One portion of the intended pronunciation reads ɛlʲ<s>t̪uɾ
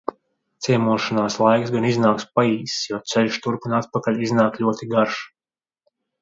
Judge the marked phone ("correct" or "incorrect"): incorrect